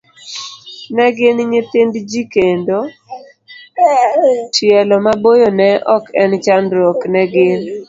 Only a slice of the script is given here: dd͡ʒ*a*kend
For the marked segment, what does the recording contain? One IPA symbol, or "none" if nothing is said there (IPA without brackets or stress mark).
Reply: i